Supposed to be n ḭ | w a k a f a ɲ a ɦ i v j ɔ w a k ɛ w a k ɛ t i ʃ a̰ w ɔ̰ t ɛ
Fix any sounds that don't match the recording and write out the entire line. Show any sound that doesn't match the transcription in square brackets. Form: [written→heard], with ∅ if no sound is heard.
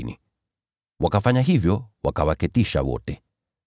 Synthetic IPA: n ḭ | w a k a f a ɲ a ɦ i v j ɔ w a k [ɛ→a] w a k ɛ t i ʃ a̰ w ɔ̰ t ɛ